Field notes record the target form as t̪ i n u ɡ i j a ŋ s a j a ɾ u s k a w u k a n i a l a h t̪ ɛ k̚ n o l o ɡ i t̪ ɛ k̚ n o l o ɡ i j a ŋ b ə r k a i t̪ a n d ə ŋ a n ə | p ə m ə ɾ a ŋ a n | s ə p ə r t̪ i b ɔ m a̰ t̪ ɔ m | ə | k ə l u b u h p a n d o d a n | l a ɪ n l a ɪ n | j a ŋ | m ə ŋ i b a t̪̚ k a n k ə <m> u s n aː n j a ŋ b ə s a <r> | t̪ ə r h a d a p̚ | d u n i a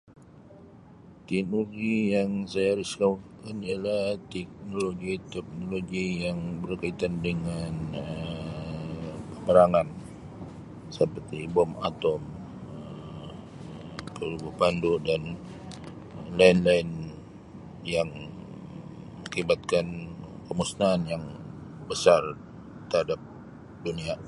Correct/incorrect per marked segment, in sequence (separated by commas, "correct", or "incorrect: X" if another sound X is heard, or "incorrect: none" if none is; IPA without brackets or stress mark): correct, correct